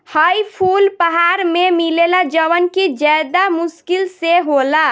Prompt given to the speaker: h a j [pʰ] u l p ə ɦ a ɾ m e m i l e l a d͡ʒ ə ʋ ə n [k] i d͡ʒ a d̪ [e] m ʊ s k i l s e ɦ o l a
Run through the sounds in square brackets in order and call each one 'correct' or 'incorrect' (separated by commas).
correct, correct, incorrect